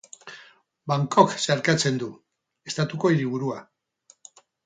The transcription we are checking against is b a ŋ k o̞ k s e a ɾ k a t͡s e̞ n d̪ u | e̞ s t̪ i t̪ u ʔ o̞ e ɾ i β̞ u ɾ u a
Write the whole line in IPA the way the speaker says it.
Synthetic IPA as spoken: b a ŋ k o̞ k s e a ɾ k a t͡s e̞ n d̪ u | e̞ s t̪ a t̪ u k o̞ i ɾ i β̞ u ɾ u a